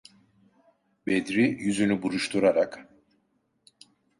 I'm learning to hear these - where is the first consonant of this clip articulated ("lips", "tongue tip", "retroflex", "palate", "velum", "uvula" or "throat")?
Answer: lips